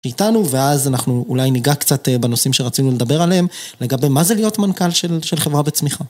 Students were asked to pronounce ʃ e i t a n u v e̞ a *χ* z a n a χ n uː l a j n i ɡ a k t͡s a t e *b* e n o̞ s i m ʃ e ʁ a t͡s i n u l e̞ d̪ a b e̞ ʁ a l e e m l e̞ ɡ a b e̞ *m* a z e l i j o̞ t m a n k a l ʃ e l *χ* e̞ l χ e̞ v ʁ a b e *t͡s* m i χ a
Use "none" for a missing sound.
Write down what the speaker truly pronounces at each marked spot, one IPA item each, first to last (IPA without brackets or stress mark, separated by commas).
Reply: none, b, m, ʃ, t͡s